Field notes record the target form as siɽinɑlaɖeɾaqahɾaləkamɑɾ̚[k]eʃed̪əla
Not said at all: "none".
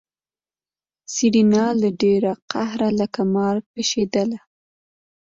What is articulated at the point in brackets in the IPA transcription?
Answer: p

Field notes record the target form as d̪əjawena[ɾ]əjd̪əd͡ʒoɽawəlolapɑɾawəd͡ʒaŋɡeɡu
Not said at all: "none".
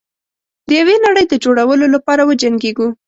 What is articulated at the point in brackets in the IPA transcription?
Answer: ɽ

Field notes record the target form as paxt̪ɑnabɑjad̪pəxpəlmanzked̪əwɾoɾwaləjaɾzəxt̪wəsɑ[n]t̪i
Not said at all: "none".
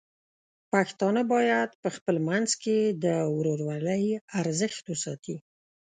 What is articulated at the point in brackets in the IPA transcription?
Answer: none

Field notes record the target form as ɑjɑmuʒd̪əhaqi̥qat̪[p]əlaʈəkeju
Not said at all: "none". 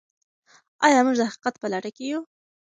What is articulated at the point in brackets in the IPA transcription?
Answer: p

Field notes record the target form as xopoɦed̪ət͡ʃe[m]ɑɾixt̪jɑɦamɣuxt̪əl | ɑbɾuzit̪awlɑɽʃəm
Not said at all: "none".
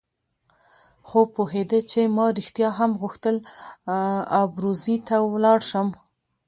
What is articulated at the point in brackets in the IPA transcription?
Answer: m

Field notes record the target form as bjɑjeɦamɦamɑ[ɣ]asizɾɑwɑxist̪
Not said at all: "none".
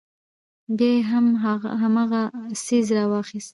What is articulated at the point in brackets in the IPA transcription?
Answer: ɣ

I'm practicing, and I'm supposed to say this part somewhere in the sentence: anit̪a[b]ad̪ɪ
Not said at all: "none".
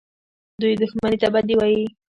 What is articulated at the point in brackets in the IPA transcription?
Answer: b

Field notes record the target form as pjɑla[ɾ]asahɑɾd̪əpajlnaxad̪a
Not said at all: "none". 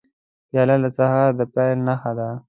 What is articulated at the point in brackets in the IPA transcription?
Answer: l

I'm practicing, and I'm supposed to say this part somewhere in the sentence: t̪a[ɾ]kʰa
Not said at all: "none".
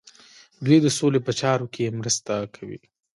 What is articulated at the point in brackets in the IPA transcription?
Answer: none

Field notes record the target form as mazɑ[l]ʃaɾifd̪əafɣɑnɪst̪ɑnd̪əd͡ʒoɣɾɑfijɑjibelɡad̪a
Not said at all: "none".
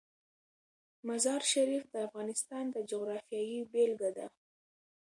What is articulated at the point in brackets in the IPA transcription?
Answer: ɾ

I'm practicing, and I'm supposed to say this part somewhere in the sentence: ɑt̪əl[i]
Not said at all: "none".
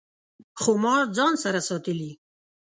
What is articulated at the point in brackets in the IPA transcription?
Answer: i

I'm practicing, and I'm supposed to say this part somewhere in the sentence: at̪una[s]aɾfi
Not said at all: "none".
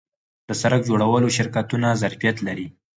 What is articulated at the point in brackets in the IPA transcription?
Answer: z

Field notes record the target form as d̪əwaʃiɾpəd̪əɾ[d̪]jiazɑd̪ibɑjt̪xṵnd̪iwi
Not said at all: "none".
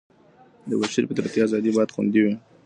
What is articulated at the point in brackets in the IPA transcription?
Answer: t̪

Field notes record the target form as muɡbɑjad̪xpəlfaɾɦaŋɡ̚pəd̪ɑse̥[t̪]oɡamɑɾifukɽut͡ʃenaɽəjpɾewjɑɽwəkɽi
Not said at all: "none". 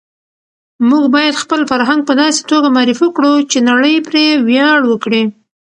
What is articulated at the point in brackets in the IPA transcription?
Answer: t̪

